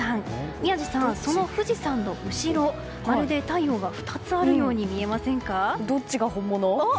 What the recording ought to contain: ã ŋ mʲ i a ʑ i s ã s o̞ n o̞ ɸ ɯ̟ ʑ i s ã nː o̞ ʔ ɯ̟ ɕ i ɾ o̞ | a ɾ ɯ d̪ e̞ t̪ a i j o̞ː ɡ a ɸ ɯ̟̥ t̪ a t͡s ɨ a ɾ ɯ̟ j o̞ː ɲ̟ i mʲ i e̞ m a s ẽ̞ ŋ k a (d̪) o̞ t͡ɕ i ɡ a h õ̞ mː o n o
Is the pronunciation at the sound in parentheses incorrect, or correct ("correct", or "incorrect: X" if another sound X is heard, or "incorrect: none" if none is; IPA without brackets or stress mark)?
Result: correct